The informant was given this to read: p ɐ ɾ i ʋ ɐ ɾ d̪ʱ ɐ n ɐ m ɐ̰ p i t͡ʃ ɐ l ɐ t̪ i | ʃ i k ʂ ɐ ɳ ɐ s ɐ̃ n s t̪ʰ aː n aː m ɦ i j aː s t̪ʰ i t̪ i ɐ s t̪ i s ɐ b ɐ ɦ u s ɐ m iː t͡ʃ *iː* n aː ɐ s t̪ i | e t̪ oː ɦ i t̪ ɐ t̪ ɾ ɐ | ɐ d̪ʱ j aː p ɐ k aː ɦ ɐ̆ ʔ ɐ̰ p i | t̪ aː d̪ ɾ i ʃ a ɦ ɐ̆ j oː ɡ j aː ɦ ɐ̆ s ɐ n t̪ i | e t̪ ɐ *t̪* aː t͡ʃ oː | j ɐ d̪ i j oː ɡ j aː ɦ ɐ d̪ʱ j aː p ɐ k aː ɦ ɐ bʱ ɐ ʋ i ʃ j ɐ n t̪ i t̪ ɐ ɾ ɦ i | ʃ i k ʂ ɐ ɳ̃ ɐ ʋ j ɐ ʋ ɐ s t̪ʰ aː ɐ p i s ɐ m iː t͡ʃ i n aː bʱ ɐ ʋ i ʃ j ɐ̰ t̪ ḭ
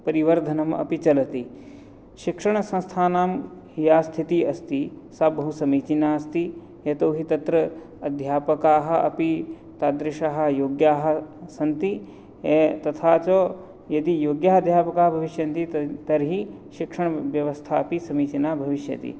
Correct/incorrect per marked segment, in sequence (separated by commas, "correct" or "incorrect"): incorrect, incorrect